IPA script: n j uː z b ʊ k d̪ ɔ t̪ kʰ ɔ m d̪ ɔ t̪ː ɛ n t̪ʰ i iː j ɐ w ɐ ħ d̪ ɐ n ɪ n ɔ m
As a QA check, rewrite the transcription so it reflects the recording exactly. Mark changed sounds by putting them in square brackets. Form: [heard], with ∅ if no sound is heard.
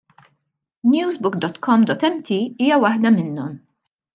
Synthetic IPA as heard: n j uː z b ʊ k d̪ ɔ t̪ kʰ ɔ m d̪ ɔ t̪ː ɛ [m] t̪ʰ i iː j ɐ w ɐ ħ d̪ ɐ [m] ɪ [nː] ɔ m